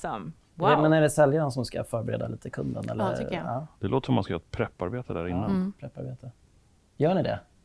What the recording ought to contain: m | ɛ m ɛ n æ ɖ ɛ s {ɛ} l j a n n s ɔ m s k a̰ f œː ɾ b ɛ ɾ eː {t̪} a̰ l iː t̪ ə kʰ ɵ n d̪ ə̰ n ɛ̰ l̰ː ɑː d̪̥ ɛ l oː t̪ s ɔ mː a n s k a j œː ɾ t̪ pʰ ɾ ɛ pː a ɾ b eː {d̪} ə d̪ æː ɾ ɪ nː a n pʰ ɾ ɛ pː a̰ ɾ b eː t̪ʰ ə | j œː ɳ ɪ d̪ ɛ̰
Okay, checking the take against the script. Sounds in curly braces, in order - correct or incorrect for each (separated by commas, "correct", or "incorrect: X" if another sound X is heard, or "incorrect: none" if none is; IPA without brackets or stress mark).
correct, incorrect: d̪, incorrect: t̪